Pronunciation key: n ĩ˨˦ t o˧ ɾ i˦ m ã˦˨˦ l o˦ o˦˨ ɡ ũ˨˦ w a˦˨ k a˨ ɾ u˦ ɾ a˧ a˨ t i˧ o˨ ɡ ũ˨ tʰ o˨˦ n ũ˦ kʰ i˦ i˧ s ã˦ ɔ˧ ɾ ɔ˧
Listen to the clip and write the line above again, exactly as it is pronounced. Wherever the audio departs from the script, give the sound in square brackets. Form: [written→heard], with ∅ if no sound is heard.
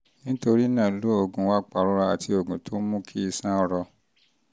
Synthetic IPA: n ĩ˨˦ t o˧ ɾ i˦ [m→n] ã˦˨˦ l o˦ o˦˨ ɡ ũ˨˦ w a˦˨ [k→k͡p] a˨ ɾ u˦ ɾ a˧ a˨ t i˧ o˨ ɡ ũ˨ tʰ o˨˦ [n→m] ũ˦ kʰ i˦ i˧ s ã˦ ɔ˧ ɾ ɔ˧

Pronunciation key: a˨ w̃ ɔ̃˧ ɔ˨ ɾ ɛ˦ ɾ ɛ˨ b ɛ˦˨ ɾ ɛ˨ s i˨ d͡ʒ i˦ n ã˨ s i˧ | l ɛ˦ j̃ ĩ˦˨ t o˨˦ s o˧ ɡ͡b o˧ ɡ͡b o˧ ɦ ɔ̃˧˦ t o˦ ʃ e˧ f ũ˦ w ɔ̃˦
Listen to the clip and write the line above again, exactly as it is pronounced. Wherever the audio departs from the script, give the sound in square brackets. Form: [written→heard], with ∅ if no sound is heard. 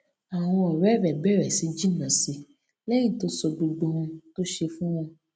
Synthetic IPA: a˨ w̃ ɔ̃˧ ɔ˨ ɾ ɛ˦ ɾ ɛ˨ b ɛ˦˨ ɾ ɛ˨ s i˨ d͡ʒ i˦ n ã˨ s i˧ | l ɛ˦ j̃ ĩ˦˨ t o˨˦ s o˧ ɡ͡b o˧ ɡ͡b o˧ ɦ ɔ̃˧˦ t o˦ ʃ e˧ f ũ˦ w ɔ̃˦

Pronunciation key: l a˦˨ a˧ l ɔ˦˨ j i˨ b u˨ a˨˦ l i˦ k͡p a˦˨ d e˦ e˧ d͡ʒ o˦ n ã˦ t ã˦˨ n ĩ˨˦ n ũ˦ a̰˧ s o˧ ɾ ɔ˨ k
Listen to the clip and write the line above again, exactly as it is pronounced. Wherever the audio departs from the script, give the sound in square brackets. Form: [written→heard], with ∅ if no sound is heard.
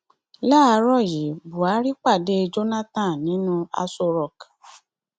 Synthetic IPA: l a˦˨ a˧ [l→ɾ] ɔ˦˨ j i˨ b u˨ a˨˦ [l→ɾ] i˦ k͡p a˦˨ d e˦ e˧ d͡ʒ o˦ n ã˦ t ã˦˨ n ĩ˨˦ n ũ˦ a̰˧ s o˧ ɾ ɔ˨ k

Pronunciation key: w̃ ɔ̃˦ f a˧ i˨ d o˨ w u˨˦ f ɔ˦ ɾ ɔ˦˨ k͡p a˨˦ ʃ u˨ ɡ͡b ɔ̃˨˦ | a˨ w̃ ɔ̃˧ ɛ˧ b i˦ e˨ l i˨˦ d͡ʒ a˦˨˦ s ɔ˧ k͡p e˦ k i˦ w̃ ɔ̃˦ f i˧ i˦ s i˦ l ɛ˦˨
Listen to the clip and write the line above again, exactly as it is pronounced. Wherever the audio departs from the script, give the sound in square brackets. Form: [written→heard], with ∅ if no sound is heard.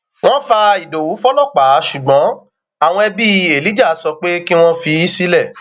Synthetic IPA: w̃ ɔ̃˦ f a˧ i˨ d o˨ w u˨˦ f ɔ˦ [ɾ→l] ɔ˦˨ k͡p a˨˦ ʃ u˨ ɡ͡b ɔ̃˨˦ | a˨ w̃ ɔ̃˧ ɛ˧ b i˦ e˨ l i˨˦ d͡ʒ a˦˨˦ s ɔ˧ k͡p e˦ k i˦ w̃ ɔ̃˦ f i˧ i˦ s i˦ l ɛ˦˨

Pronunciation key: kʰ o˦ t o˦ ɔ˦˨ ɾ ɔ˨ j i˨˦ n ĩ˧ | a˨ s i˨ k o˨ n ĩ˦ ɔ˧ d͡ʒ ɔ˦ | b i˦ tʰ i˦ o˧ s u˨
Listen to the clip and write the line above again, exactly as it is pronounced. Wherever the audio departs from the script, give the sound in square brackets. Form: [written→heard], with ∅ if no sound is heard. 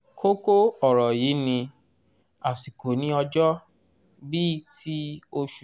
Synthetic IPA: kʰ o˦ [t→k] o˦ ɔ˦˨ ɾ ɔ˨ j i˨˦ n ĩ˧ | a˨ s i˨ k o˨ n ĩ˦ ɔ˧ d͡ʒ ɔ˦ | b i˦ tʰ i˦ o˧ [s→ʃ] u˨

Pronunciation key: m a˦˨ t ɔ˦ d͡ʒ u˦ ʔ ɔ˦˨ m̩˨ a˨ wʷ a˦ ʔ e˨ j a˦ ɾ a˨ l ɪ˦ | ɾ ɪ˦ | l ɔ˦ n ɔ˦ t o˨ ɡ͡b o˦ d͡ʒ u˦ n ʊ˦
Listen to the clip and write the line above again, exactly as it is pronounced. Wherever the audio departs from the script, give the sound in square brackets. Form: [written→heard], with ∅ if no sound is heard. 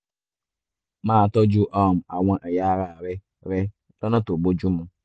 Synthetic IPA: m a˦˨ t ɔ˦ d͡ʒ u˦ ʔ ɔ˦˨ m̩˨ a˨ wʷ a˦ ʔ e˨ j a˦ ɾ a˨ [l→ɾ] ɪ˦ | ɾ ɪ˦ | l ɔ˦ n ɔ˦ t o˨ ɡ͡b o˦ d͡ʒ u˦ [n→m] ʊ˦

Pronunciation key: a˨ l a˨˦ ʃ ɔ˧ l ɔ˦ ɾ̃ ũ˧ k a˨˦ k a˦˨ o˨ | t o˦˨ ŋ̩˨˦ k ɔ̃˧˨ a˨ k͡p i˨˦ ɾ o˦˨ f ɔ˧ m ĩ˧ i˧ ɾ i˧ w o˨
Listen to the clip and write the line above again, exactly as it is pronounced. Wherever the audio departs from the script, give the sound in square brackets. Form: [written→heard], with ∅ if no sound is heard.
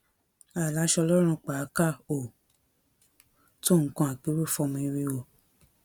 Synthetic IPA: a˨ l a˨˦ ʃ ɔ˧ l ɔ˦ ɾ̃ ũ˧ [k→k͡p] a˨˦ k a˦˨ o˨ | t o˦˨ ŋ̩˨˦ k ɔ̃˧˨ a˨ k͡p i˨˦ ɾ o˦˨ f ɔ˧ m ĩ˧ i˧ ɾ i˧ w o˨

